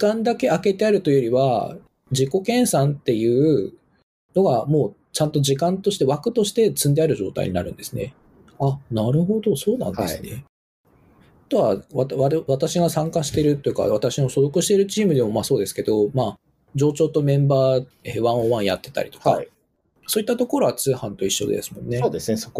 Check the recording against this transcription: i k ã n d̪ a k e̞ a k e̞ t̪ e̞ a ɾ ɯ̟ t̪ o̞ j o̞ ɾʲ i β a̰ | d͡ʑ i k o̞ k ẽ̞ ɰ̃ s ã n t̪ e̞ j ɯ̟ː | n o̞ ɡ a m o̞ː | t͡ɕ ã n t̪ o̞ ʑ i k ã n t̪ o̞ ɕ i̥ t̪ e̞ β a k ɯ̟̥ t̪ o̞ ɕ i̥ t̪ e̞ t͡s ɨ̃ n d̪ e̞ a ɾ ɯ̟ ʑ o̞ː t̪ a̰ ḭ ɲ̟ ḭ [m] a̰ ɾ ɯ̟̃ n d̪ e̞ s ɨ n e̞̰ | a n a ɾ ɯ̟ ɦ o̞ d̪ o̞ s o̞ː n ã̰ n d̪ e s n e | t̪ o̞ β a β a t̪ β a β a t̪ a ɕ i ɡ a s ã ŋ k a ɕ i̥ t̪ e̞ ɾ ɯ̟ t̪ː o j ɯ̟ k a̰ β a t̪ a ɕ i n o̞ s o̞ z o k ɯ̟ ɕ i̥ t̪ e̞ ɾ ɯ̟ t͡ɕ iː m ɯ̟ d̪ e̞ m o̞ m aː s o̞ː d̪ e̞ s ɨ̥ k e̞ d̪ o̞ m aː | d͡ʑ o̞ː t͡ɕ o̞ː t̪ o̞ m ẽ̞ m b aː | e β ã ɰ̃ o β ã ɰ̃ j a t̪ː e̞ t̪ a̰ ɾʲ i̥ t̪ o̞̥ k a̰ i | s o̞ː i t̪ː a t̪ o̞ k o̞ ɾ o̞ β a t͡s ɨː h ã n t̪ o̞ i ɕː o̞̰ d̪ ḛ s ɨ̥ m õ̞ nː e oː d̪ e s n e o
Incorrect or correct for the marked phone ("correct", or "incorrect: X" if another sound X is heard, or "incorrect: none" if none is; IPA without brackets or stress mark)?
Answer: incorrect: n